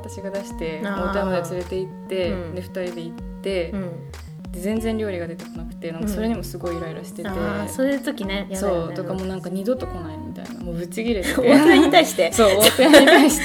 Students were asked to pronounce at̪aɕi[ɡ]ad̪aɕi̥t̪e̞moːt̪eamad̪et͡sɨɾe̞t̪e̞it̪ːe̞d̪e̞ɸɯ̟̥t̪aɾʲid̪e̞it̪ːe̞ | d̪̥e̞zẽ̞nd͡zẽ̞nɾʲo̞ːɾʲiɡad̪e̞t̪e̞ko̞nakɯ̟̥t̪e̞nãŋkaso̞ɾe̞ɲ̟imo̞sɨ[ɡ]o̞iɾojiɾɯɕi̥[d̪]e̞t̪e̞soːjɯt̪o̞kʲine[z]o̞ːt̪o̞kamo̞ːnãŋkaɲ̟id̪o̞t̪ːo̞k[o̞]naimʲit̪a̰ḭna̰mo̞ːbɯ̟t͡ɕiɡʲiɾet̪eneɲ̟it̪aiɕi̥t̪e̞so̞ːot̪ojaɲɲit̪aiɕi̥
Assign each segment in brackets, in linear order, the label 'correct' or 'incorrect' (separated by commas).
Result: correct, correct, incorrect, incorrect, correct